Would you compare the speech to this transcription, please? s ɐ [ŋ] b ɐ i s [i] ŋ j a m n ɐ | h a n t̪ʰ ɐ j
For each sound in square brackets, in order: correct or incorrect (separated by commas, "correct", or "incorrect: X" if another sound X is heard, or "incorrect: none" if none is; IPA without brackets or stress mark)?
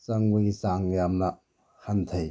correct, incorrect: a